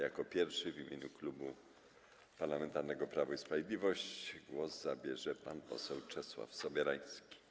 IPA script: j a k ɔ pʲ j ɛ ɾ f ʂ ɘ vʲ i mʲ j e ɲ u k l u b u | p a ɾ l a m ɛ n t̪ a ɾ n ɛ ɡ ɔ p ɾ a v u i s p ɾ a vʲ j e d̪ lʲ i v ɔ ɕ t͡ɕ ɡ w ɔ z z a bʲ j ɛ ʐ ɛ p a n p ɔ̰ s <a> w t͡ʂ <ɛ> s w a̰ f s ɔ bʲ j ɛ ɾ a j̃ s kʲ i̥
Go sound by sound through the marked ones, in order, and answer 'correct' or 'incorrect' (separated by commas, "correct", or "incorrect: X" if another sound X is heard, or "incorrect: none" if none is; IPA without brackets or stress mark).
incorrect: ɛ, correct